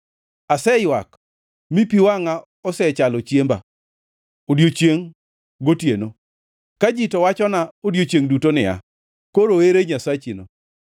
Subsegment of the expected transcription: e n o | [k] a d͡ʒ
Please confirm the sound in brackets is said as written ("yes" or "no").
yes